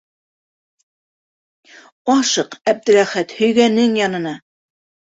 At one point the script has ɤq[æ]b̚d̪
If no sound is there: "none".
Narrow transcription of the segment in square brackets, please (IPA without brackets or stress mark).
æ